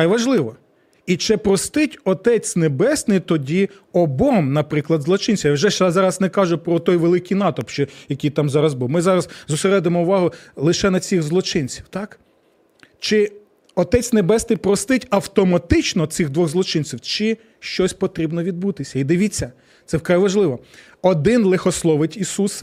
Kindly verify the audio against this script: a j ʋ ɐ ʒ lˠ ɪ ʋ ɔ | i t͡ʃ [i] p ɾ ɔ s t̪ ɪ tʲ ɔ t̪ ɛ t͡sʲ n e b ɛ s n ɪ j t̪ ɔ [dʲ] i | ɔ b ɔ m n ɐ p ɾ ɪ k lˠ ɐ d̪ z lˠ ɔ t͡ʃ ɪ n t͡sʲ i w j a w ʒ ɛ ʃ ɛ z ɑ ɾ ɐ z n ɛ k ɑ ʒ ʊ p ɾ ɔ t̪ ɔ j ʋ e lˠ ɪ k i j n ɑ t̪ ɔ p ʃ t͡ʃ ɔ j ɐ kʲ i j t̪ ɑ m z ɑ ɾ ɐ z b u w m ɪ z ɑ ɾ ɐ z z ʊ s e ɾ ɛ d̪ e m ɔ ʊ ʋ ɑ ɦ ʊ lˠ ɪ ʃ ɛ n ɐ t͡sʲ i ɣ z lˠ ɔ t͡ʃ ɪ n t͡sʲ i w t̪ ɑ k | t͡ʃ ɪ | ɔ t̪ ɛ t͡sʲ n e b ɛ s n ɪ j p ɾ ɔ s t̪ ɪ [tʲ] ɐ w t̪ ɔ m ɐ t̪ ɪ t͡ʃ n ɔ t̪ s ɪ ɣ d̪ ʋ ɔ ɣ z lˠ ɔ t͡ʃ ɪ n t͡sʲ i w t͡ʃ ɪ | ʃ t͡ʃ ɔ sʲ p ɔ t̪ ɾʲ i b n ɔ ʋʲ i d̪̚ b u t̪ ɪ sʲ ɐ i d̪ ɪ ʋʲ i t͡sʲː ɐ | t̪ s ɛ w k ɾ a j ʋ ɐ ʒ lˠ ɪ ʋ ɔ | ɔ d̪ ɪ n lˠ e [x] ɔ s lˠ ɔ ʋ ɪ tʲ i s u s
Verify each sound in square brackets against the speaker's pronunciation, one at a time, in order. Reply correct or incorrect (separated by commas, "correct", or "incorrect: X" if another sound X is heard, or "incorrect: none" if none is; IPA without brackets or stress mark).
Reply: incorrect: ɪ, correct, correct, correct